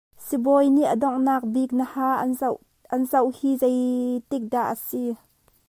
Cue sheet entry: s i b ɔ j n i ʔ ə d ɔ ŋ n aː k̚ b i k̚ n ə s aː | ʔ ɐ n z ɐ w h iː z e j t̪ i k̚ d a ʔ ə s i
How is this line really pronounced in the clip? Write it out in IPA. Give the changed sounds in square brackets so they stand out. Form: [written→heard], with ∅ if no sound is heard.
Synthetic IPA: s i b ɔ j n i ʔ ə d ɔ ŋ n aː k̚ b i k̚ n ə [s→h] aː | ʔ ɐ n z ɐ w h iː z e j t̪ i k̚ d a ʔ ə s i